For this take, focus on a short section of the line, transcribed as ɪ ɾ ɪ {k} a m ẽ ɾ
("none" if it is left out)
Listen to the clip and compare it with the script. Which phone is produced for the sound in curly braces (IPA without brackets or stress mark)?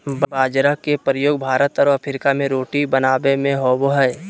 k